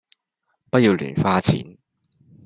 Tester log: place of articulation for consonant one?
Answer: labial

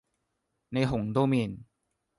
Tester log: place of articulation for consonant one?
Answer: alveolar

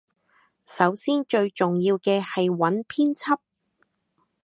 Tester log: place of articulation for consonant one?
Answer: alveolar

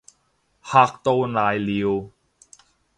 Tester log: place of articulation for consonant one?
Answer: glottal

